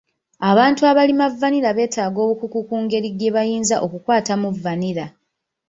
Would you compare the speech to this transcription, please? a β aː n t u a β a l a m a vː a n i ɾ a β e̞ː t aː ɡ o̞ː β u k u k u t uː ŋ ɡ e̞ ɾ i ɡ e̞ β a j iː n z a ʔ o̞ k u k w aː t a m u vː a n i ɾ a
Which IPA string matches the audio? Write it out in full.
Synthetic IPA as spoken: a β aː n t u a β a l i m a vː a n i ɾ a β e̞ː t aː ɡ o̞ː β u k u k u k uː ŋ ɡ e̞ ɾ i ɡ e̞ β a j iː n z a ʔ o̞ k u k w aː t a m u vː a n i ɾ a

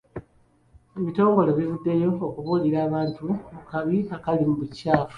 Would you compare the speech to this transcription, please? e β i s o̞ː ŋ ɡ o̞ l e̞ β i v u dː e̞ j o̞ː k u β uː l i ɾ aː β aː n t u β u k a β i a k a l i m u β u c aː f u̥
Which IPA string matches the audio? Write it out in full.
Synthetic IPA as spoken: e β i t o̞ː ŋ ɡ o̞ l e̞ β i v u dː e̞ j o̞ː k u β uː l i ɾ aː β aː n t u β u k a β i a k a l i m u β u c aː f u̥

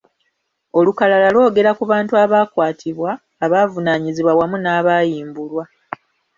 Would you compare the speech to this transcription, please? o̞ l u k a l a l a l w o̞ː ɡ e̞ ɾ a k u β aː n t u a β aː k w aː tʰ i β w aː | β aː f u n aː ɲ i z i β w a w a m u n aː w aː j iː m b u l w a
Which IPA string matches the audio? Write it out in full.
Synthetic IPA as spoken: o̞ l u k a l a l a l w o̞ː ɡ e̞ ɾ a k u β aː n t u a β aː k w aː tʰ i β w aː | β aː v u n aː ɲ i z i β w a w a m u n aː β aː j iː m b u l w a

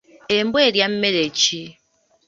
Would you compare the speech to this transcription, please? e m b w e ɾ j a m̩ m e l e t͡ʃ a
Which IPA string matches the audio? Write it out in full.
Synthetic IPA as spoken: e m b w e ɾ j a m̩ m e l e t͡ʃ i

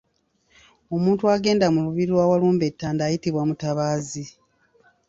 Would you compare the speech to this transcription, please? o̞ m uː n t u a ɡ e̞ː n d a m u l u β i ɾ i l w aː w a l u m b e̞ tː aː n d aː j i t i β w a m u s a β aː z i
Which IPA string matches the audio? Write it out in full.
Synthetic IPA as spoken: o̞ m uː n t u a ɡ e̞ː n d a m u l u β i ɾ i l w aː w a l uː m b e̞ tː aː n d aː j i t i β w a m u t a β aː z i

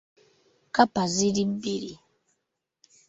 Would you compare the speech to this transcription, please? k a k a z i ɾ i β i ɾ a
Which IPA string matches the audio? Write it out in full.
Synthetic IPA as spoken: k a p a z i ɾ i b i ɾ i

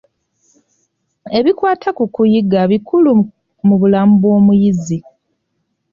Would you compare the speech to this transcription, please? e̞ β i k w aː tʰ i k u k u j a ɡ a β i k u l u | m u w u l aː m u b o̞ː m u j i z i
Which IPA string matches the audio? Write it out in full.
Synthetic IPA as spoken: e̞ β i k w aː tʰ a k u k u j i ɡ a β i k u l u | m u β u l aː m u b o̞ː m u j i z i

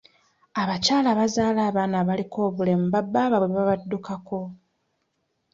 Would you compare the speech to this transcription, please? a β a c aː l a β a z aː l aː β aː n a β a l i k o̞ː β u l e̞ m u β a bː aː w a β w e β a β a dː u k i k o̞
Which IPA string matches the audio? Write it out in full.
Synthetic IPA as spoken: a β a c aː l a β a z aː l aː β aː n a β a l i k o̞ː β u l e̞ m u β a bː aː β a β w e β a β a dː u k a k o̞

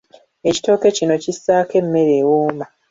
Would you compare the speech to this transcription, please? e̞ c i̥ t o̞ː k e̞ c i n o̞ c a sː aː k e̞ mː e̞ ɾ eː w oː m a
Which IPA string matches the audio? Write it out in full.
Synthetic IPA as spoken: e̞ c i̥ t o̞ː k e̞ c i n o̞ c i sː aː k e̞ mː e̞ ɾ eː w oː m a

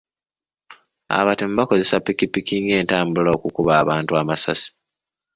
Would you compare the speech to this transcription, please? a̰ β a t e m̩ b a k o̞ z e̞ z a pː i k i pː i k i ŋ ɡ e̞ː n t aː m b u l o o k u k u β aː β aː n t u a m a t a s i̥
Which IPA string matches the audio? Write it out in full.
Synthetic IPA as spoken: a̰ β a t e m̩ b a k o̞ z e̞ s a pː i k i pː i k i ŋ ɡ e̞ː n t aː m b u l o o k u k u β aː β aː n t u a m a s a s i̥

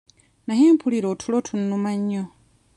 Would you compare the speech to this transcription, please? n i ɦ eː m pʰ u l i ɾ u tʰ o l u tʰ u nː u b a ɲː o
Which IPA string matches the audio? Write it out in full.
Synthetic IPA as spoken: n a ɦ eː m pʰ u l i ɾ o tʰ u l o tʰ u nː u m a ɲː o

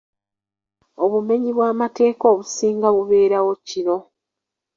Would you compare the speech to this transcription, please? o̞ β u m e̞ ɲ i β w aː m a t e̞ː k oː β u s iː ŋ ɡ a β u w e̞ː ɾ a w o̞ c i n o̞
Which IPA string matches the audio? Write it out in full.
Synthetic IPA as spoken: o̞ β u m e̞ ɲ i β w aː m a t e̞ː k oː β u s iː ŋ ɡ a β u β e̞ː ɾ a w o̞ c i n o̞

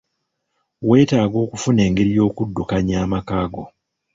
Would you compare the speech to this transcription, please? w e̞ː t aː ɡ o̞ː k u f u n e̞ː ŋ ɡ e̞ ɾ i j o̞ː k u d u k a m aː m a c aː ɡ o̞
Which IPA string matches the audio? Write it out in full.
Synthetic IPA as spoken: w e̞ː t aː ɡ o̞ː k u f u n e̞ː ŋ ɡ e̞ ɾ i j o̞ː k u dː u k a ɲ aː m a k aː ɡ o̞

